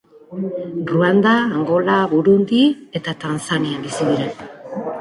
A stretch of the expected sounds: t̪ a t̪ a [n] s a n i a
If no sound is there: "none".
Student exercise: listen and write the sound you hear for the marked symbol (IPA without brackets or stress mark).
n